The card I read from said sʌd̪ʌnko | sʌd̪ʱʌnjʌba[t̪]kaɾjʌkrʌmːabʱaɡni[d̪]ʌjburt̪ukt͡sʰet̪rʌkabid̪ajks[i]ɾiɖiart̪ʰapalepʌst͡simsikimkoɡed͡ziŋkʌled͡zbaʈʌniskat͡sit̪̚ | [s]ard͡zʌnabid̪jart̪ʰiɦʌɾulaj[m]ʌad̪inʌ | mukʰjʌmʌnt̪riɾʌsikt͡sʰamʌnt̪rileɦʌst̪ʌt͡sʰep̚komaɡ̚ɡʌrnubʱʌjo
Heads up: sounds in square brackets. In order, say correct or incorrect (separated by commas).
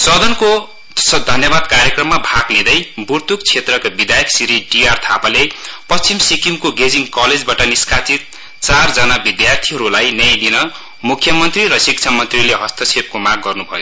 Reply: incorrect, correct, correct, incorrect, incorrect